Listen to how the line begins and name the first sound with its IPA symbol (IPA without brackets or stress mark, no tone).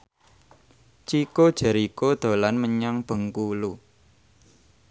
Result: t͡ʃ